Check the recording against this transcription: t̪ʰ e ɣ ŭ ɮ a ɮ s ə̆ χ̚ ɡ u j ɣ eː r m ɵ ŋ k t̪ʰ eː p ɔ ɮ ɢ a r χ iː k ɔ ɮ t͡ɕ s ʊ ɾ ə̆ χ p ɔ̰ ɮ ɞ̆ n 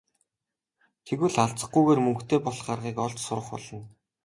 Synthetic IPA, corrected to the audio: t̪ʰ e ɣ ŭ ɮ a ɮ t͡s ə̆ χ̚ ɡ u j ɣ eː r m ɵ ŋ k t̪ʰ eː p ɔ ɮ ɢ a r ʁ iː k ɔ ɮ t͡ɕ s ʊ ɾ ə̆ χ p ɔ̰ ɮ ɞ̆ n